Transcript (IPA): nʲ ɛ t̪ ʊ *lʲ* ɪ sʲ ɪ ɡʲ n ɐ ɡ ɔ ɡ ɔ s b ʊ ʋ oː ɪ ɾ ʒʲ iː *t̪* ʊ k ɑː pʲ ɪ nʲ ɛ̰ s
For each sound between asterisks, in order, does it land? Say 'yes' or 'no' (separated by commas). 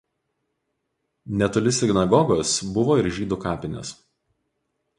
yes, no